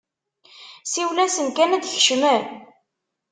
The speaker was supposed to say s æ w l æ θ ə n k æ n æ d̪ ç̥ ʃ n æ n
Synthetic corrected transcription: s i w l æ s ə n k æ n æ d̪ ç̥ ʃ m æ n

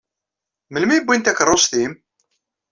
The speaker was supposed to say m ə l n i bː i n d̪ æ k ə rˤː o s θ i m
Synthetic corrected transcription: m ə l m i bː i n t̪ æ k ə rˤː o s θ i m

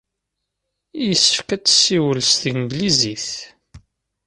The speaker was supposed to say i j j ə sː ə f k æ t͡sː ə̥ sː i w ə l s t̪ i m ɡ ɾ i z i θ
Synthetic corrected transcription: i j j ə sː ə f k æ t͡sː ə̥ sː i w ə l s t̪ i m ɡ l i z i θ

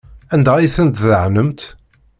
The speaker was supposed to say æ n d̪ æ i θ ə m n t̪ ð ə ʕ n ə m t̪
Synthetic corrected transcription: æ n d̪ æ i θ ə n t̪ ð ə ʕ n ə m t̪

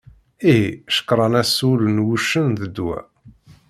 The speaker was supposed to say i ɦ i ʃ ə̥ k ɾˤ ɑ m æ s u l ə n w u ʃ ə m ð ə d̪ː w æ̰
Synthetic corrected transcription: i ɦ i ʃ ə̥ k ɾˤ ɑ n æ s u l ə n w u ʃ ə n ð ə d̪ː w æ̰

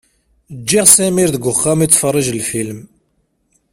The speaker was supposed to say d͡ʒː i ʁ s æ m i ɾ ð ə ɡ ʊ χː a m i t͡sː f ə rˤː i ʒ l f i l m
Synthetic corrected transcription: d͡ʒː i ʁ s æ m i ɾ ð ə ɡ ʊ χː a m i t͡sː f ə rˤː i ʒ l f i l m

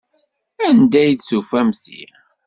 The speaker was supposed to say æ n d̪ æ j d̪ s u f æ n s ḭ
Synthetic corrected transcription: æ n d̪ æ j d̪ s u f æ m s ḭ

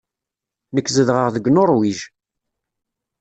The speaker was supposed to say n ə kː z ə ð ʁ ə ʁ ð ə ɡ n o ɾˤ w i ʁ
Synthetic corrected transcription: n ə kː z ə ð ʁ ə ʁ ð ə ɡ n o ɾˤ w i ʒ

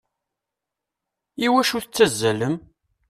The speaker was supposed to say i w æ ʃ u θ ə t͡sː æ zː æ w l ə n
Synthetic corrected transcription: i w æ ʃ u θ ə t͡sː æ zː æ l ə m

